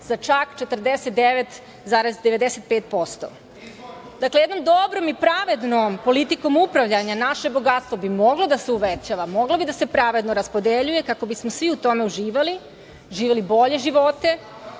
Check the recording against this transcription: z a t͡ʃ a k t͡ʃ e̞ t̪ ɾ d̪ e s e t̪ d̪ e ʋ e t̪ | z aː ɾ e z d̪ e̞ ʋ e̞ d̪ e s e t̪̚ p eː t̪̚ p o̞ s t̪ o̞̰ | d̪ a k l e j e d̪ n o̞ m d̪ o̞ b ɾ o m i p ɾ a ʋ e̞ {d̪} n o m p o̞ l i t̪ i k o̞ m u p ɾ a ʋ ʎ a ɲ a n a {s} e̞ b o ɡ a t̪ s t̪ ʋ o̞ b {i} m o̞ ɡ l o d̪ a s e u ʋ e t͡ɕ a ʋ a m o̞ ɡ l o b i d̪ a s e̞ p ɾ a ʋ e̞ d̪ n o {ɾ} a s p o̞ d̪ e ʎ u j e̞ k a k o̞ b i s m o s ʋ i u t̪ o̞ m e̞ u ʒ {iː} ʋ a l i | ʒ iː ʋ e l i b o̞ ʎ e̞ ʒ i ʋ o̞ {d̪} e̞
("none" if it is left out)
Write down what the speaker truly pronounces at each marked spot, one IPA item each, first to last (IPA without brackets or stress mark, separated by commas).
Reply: d̪, ʃ, i, ɾ, iː, t̪